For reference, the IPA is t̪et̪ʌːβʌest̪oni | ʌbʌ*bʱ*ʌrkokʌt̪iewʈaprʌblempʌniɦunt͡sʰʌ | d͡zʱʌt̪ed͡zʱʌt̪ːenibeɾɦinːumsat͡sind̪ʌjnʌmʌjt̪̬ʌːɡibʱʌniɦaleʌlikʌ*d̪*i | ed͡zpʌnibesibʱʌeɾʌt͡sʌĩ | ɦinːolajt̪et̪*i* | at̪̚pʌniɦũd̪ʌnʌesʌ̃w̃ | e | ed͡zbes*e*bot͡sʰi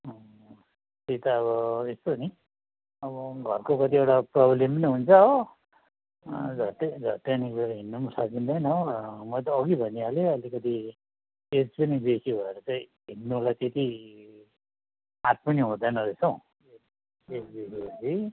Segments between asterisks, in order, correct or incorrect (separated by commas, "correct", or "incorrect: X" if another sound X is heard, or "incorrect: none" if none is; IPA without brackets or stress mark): incorrect: ɡʱ, incorrect: t̪, correct, incorrect: i